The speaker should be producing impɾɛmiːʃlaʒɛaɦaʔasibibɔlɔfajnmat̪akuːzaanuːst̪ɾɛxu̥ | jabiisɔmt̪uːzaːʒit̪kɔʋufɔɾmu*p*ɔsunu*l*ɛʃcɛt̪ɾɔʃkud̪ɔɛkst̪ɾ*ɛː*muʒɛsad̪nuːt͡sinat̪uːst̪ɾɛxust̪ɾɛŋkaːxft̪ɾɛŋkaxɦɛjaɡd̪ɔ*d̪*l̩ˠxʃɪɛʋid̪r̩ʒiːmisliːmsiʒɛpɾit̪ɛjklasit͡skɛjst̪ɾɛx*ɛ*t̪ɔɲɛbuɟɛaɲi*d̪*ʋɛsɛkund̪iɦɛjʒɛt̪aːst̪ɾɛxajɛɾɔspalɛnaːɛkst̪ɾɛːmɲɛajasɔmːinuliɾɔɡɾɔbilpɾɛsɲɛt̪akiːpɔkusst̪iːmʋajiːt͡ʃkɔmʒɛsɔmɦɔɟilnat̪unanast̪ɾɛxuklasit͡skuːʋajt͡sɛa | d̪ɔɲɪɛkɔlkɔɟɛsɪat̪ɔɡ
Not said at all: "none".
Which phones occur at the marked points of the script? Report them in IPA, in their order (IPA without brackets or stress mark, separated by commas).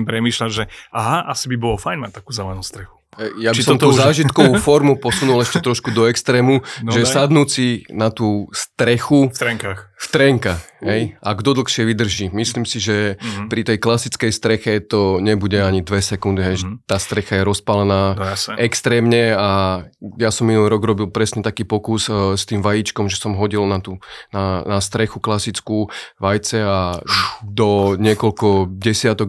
p, l, ɛː, d̪, ɛ, d̪